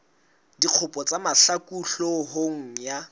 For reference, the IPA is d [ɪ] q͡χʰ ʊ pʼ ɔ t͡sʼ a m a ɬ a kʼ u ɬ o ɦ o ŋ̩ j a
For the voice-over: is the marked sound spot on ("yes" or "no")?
no